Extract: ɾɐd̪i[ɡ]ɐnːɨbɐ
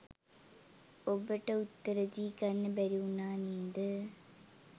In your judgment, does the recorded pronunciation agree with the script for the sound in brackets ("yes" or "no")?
no